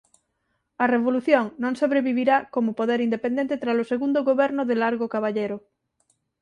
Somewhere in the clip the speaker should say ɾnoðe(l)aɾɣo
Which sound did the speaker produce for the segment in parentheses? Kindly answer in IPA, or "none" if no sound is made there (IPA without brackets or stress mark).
l